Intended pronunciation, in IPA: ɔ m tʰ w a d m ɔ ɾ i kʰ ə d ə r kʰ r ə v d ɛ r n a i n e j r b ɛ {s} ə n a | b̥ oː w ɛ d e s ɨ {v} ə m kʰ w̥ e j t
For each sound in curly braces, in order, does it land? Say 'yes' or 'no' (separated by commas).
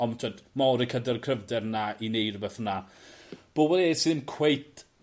no, no